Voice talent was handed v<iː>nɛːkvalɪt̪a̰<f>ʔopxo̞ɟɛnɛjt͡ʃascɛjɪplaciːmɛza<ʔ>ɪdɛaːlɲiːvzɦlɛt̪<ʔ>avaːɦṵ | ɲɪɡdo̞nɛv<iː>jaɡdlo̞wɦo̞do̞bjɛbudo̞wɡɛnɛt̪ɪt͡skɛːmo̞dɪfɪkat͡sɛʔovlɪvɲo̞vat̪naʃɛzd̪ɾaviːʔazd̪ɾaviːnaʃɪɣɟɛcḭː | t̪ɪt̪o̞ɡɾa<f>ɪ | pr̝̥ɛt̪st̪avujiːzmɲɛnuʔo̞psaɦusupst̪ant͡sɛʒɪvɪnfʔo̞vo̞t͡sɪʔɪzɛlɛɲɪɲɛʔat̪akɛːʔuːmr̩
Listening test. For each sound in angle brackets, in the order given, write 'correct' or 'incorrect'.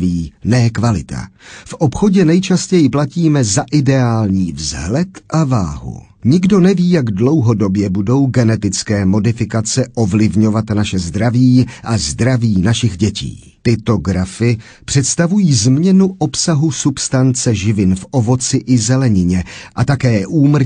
correct, correct, correct, correct, correct, correct

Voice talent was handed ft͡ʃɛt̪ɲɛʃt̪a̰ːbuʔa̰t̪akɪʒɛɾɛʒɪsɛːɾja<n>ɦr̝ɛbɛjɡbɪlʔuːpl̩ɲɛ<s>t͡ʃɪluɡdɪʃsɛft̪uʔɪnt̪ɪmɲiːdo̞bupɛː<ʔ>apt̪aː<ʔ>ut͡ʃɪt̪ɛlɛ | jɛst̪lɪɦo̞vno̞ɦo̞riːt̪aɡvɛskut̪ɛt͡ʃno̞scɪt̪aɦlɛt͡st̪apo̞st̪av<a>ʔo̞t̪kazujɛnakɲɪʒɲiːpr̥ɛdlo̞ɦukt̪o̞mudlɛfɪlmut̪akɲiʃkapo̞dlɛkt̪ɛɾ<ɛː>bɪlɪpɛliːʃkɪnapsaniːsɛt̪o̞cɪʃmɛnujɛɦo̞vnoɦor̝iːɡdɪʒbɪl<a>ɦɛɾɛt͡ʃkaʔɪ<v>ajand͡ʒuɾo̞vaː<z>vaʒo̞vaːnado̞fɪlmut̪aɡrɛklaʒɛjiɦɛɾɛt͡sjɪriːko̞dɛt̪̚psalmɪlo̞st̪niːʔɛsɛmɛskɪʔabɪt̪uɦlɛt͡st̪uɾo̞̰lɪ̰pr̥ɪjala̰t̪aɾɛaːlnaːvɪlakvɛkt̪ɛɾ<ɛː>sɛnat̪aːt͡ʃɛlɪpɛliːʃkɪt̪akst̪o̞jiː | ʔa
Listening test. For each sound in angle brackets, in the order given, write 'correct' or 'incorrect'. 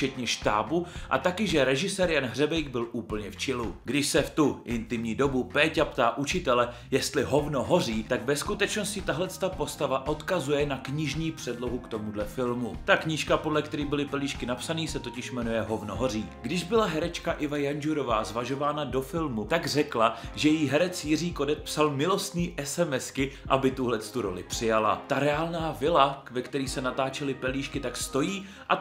correct, incorrect: f, incorrect: c, correct, correct, incorrect: iː, correct, correct, correct, incorrect: iː

